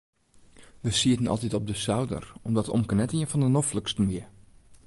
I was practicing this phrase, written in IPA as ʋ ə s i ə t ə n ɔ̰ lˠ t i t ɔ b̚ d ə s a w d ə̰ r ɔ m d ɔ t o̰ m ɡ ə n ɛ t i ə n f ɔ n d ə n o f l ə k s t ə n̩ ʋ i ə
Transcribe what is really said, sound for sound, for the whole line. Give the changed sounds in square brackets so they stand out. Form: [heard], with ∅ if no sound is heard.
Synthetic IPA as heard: ʋ ə s i ə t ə n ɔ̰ lˠ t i t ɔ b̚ d ə s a w d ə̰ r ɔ m d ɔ t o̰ m [k] ə n ɛ t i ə n f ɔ n d ə n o f l ə k s t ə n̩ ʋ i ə

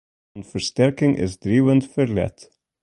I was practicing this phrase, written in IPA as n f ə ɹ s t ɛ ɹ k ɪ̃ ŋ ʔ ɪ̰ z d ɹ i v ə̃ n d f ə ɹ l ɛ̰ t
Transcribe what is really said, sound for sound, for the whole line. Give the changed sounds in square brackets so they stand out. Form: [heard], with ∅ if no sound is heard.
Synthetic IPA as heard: n f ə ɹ s t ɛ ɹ k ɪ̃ ŋ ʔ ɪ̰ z d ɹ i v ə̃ n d f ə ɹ l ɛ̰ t

